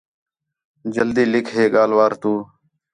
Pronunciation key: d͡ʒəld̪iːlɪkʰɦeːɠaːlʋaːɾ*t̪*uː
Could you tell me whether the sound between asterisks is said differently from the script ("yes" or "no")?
no